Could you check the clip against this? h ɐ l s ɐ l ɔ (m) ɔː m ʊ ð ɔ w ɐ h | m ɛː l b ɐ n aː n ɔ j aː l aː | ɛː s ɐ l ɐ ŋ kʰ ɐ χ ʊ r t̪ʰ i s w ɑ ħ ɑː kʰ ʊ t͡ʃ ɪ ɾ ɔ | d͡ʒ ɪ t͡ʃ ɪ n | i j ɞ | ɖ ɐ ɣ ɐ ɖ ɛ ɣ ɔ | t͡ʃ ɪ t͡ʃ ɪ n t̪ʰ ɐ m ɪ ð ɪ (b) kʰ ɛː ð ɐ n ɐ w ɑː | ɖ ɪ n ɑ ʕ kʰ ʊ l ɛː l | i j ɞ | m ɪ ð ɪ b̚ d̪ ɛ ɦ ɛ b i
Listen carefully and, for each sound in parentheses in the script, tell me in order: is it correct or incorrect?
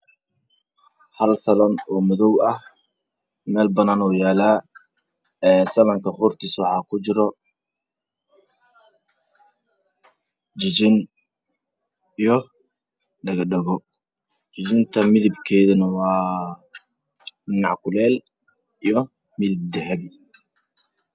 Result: incorrect, correct

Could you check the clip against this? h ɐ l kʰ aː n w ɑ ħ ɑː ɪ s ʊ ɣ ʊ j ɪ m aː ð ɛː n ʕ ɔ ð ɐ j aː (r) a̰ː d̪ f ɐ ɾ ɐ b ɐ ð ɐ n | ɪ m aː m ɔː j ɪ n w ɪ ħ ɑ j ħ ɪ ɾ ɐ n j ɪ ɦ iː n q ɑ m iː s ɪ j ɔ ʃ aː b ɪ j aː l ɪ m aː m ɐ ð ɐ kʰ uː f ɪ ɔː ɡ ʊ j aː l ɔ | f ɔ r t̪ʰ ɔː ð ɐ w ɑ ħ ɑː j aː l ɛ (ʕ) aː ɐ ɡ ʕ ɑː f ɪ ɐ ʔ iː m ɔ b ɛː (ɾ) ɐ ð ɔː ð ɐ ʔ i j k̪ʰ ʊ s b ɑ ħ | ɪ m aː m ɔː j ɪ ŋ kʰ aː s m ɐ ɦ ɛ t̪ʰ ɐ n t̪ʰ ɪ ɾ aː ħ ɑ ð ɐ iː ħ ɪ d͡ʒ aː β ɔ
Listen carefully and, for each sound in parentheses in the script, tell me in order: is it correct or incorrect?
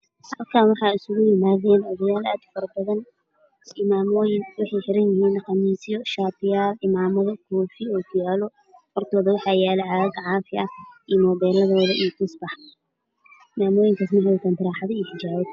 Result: incorrect, correct, incorrect

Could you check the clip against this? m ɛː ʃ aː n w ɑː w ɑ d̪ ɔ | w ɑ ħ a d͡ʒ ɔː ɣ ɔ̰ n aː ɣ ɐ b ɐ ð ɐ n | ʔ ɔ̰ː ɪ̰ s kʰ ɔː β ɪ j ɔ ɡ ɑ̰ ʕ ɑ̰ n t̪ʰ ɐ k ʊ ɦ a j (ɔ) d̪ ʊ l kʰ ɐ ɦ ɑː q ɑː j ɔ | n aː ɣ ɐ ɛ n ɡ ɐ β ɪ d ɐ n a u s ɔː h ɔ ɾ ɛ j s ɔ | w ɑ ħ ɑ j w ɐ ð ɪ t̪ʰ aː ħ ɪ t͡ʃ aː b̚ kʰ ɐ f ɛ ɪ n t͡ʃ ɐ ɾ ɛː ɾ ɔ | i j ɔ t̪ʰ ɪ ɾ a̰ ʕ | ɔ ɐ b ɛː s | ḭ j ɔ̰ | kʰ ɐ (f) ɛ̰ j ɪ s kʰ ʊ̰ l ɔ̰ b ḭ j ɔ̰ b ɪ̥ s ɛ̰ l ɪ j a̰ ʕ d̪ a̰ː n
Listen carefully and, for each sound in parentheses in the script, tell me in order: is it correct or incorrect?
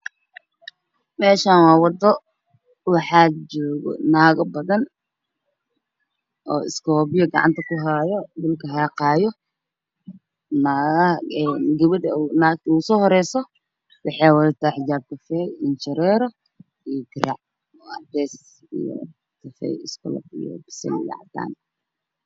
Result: correct, correct

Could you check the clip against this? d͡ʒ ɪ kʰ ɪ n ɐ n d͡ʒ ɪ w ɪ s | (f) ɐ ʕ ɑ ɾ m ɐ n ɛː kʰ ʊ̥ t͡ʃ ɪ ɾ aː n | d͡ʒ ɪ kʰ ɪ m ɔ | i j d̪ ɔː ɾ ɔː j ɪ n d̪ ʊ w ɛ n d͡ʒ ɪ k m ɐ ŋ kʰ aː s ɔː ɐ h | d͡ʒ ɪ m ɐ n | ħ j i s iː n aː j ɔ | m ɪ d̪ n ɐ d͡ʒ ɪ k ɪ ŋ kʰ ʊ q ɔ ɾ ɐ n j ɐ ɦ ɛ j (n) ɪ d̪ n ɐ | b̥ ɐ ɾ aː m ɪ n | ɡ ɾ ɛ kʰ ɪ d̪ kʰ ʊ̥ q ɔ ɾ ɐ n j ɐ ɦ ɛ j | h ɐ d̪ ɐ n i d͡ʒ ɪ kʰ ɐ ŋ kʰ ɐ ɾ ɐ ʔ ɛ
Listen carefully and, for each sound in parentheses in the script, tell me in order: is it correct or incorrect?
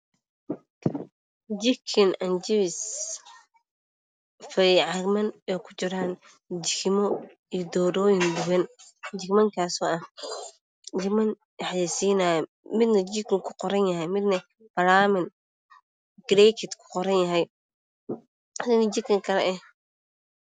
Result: correct, incorrect

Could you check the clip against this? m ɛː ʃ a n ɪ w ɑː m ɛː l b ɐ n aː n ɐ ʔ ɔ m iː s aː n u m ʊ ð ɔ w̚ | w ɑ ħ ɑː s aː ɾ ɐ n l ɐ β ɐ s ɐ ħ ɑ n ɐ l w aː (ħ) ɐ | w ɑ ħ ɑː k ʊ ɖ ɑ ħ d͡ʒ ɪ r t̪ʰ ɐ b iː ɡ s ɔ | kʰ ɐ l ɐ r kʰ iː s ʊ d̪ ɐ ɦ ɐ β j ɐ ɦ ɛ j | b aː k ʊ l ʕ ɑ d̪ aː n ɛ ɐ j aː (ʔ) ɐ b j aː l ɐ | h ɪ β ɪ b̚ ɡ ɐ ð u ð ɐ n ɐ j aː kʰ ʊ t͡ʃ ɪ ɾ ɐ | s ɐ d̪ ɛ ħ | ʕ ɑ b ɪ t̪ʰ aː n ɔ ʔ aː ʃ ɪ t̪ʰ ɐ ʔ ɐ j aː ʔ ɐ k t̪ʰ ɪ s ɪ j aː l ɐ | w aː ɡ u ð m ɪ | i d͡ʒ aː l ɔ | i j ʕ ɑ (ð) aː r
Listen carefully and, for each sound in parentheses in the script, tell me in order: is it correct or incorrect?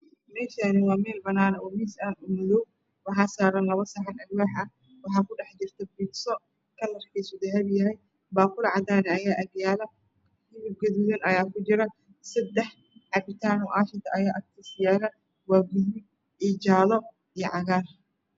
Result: correct, correct, incorrect

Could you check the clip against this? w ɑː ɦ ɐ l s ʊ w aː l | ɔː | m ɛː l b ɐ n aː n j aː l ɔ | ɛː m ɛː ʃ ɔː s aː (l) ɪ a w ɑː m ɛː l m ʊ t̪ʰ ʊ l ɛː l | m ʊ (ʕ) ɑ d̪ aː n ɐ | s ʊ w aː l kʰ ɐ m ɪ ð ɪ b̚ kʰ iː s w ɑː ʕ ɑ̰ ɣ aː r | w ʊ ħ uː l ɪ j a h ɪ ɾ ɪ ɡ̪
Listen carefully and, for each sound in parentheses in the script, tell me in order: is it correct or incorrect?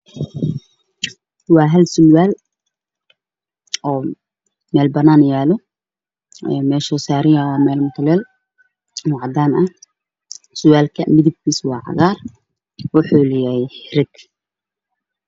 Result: incorrect, correct

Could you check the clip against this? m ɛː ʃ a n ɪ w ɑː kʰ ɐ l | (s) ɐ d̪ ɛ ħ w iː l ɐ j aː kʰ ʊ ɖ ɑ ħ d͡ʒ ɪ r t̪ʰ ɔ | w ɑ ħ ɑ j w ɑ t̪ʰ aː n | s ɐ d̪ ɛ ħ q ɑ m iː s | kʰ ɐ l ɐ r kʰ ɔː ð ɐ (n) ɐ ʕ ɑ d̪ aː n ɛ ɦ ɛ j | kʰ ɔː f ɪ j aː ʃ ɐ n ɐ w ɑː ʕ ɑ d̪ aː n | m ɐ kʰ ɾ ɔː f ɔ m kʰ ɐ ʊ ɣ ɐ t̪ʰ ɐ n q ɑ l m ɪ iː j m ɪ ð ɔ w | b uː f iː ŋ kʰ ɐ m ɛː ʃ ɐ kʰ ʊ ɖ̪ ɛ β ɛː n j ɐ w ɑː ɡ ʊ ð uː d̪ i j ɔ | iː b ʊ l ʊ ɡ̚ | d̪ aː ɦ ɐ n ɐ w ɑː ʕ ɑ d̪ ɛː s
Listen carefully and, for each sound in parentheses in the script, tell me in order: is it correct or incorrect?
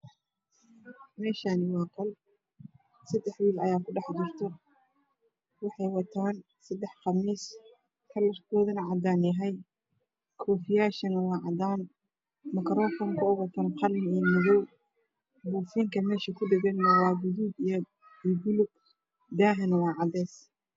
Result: correct, correct

